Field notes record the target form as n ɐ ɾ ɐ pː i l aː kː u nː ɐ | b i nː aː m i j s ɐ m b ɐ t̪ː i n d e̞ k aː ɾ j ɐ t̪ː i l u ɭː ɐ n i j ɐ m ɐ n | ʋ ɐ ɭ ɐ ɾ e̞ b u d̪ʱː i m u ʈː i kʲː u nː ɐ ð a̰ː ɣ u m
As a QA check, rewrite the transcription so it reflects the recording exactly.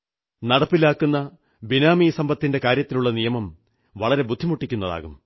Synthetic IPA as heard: n ɐ ɽ ɐ pː i l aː kː u nː ɐ | b i n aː m i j s ɐ m b ɐ t̪ː i n d e̞ k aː ɾ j ɐ t̪ː i l u ɭː ɐ n i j ɐ m ɐ m | ʋ ɐ ɭ ɐ ɾ e̞ b u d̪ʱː i m u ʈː i kʲː u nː ɐ ð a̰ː ɣ u m

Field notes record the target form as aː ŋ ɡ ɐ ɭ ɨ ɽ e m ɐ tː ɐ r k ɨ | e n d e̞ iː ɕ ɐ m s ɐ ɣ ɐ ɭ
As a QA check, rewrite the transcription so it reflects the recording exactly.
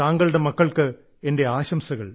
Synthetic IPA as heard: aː ŋ ɡ ɐ ɭ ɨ ɽ e m ɐ kː ɐ ɭ k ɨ | e n d e̞ aː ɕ ɐ m s ɐ ɣ ɐ ɭ

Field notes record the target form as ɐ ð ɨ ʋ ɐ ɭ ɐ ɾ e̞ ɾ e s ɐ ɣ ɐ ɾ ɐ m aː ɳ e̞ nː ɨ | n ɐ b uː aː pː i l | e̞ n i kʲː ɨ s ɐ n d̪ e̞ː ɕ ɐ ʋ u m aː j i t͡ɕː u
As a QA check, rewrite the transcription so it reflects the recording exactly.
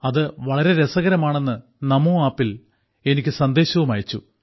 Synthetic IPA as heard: ɐ ð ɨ ʋ ɐ ɭ ɐ ɾ e̞ ɾ e s ɐ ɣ ɐ ɾ ɐ m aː ɳ e̞ nː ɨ | n ɐ m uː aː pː i l | e̞ n i kʲː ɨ s ɐ n d̪ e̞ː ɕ ɐ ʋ u m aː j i t͡ɕː u

